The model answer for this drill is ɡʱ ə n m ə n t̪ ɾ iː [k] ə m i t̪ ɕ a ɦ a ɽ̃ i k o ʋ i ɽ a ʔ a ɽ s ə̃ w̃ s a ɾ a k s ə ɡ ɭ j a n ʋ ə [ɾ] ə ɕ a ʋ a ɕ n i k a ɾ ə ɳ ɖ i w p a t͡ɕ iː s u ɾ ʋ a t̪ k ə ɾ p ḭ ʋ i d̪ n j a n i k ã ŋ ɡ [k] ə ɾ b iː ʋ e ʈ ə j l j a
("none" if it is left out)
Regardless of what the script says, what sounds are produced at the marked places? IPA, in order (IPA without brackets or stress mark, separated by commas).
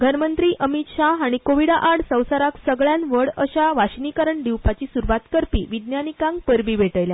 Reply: ʔ, ɽ, p